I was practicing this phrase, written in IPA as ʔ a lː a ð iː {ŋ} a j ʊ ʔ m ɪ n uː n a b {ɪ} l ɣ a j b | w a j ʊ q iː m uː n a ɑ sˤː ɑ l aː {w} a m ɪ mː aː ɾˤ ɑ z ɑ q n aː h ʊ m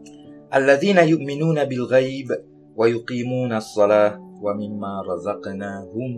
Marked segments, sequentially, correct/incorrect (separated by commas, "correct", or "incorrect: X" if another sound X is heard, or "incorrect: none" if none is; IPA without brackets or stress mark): incorrect: n, correct, correct